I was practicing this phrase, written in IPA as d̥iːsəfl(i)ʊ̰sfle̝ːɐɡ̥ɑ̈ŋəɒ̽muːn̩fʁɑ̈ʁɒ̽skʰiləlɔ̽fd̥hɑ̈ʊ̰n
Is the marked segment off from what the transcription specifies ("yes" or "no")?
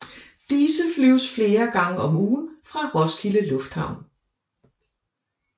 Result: yes